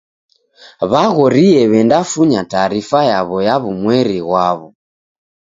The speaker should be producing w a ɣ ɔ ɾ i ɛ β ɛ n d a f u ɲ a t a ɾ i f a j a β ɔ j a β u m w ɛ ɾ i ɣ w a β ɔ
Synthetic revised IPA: β a ɣ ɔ ɾ i ɛ β ɛ n d a f u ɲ a t a ɾ i f a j a β ɔ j a β u m w ɛ ɾ i ɣ w a β ɔ